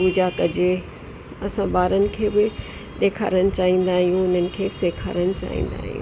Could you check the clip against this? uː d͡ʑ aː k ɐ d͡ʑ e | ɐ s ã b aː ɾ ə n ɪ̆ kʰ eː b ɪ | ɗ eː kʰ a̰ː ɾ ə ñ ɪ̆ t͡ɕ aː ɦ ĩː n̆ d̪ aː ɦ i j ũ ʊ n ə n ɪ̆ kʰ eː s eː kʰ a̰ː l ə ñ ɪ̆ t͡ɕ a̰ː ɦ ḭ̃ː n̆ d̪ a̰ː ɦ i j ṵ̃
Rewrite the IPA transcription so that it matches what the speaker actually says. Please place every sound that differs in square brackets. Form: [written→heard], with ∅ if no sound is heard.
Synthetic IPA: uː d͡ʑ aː k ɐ d͡ʑ e | ɐ s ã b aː ɾ ə n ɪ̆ kʰ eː b ɪ | ɗ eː kʰ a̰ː ɾ ə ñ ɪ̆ t͡ɕ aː ɦ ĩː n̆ d̪ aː ɦ i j ũ ʊ n ə n ɪ̆ kʰ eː s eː kʰ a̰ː [l→ɾ] ə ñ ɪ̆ t͡ɕ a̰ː ɦ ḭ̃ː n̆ d̪ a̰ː ɦ i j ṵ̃